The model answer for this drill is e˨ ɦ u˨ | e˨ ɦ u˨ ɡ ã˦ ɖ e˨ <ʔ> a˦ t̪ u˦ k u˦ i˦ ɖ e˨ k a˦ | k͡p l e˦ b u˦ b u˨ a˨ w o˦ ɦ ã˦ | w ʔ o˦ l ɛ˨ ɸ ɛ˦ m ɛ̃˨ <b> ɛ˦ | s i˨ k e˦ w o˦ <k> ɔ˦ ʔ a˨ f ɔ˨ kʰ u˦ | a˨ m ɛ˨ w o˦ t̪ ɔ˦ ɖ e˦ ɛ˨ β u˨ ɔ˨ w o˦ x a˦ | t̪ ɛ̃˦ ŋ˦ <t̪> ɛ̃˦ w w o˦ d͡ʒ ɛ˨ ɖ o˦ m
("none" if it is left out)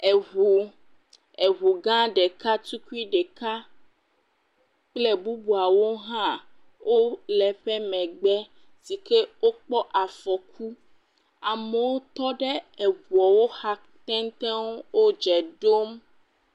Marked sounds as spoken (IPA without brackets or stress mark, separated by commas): k, ɡ͡b, k͡p, t̪